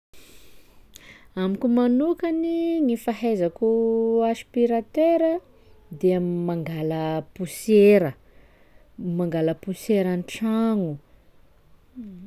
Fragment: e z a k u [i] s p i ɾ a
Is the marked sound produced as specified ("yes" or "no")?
no